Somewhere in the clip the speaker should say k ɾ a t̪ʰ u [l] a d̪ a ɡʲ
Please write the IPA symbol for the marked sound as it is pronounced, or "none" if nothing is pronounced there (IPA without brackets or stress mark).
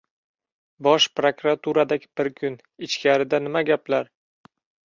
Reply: ɾ